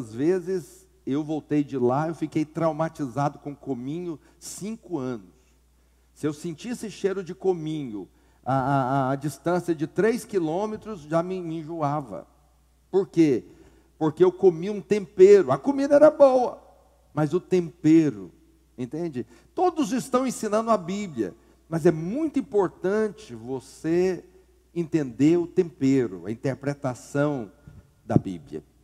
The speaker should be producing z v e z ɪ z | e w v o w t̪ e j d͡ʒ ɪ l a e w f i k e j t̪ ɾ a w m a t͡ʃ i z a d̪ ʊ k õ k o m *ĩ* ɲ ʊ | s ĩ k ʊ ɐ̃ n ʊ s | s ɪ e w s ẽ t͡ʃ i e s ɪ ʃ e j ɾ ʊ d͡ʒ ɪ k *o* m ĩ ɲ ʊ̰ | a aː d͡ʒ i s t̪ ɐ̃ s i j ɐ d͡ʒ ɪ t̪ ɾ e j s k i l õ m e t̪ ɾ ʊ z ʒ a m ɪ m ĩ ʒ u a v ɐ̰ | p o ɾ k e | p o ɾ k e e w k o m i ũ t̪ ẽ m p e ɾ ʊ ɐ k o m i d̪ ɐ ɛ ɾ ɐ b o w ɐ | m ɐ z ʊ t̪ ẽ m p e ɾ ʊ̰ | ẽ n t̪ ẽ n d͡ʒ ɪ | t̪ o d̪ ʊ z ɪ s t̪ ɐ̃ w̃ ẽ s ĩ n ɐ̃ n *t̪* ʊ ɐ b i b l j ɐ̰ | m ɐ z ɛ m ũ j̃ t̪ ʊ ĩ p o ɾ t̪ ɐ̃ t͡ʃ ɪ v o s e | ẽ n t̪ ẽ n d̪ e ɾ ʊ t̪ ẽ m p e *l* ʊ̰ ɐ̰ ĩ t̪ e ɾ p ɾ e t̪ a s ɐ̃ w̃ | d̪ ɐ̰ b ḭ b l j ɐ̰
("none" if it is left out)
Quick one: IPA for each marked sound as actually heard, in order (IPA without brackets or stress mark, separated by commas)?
ĩ, o, d̪, ɾ